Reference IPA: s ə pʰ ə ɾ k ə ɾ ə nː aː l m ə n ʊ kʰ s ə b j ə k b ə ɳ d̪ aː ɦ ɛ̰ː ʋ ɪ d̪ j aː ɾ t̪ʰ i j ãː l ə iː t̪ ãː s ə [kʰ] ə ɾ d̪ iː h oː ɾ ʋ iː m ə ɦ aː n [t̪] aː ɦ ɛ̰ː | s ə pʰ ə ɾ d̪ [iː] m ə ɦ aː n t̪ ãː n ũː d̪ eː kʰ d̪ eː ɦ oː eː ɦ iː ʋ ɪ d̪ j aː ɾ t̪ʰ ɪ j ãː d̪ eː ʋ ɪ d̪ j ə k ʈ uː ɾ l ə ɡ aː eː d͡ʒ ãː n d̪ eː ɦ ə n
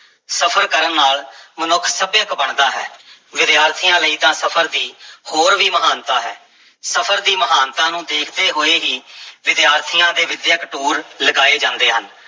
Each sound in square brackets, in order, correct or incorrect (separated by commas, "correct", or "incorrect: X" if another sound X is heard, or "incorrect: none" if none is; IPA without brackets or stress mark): incorrect: pʰ, correct, correct